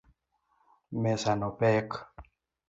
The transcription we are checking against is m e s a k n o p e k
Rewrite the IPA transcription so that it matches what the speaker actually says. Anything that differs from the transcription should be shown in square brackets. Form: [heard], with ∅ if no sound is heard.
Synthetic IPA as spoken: m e s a [∅] n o p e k

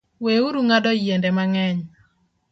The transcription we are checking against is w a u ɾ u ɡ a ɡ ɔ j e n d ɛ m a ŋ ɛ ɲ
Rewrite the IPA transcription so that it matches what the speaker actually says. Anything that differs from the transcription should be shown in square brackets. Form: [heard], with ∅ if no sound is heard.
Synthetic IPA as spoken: w [e] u ɾ u [ŋ] a [d] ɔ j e n d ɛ m a ŋ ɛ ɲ

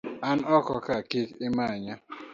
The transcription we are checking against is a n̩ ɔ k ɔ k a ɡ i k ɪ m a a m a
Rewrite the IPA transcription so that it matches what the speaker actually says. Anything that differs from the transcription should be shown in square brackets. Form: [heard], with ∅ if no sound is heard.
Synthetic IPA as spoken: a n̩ ɔ k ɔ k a [k] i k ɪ m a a [ɲ] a

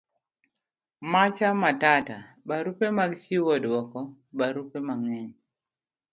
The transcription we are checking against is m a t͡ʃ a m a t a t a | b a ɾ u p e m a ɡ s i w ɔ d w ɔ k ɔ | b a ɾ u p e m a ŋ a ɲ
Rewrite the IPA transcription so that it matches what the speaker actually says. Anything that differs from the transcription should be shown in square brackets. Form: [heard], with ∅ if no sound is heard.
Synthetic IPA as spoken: m a t͡ʃ a m a t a t a | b a ɾ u p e m a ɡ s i w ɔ d w ɔ k ɔ | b a ɾ u p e m a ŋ [ɛ] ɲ

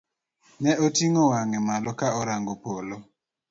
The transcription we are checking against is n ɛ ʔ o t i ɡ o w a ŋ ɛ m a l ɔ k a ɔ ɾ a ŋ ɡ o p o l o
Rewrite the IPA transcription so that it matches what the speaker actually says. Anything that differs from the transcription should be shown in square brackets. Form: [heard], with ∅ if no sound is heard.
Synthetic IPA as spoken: n ɛ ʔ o t i [ŋ] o w a ŋ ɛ m a l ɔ k a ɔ ɾ a ŋ ɡ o p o l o

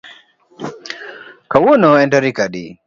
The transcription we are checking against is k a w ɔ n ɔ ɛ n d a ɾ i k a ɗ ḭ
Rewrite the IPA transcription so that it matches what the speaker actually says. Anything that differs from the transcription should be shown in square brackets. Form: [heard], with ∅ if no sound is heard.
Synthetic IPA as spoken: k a w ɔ n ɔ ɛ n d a ɾ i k a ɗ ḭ

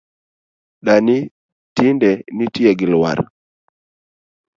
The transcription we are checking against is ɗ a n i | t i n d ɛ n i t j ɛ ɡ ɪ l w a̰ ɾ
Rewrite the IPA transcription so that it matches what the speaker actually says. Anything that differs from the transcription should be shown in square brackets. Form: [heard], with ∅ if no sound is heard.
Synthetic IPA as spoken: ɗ a n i | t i n d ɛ n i t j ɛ ɡ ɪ l w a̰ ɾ

